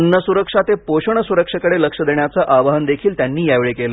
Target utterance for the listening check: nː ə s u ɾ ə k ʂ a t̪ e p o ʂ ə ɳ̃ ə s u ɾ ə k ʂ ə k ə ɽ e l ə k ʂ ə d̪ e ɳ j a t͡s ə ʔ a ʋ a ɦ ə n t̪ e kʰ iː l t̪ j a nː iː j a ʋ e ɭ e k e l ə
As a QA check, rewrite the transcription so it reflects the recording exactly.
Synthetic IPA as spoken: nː ə s u ɾ ə k ʂ a t̪ e p o ɕ ə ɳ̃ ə s u ɾ ə k ʂ ə k ə ɽ e l ə k ʂ ə d̪ e ɳ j a t͡s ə ʔ a ʋ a ɦ ə n d̪ e kʰ iː l t̪ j a nː iː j a ʋ e ɭ e k e l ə